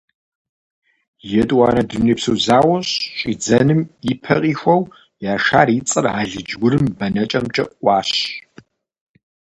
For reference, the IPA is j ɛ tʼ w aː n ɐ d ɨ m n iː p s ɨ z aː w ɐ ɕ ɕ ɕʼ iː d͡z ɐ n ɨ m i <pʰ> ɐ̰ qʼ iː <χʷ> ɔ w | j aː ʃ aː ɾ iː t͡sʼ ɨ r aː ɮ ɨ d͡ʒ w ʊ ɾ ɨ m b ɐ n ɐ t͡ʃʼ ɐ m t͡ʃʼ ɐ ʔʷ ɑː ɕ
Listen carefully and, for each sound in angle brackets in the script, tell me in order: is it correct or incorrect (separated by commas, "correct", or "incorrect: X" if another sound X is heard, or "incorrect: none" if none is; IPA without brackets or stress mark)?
correct, incorrect: xʷ